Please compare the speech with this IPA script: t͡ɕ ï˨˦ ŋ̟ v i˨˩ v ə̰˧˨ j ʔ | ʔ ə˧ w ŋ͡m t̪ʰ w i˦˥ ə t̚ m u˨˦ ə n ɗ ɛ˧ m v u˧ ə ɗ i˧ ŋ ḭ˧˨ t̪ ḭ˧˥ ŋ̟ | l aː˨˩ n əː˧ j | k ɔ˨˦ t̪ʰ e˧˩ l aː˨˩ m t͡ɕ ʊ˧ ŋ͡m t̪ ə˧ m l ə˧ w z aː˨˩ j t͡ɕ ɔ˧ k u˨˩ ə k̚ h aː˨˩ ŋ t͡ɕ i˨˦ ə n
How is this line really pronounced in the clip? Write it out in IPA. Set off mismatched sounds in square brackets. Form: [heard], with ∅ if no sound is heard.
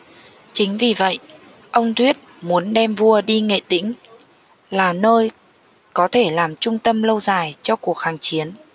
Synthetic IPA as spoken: t͡ɕ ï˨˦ ŋ̟ v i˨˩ v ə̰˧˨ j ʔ | ʔ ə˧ w ŋ͡m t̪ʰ w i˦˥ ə t̚ m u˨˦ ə n ɗ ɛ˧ m v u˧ ə ɗ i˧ ŋ [ḛ˧˨] t̪ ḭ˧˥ ŋ̟ | l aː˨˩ n əː˧ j | k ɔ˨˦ t̪ʰ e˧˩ l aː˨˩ m t͡ɕ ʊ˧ ŋ͡m t̪ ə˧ m l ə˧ w z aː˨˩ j t͡ɕ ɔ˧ k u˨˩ ə k̚ h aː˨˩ ŋ t͡ɕ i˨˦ ə n